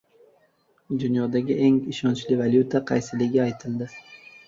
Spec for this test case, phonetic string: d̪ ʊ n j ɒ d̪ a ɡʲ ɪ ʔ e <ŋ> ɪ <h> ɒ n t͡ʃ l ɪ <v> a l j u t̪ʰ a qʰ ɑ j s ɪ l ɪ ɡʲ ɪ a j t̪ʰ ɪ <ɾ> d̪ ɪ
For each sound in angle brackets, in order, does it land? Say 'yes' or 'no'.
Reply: yes, no, yes, no

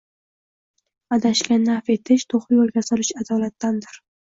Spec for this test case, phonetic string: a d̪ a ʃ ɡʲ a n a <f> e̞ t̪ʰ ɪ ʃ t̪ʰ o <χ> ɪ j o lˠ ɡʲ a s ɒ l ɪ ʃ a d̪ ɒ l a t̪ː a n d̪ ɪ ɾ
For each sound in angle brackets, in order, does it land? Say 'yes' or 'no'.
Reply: yes, yes

